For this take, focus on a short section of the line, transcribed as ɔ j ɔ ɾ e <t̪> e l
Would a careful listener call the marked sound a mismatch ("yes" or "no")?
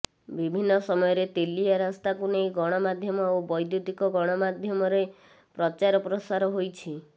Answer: no